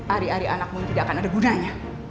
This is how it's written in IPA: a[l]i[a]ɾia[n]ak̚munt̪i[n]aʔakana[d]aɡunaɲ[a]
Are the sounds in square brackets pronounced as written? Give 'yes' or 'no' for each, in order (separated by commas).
no, yes, yes, no, yes, yes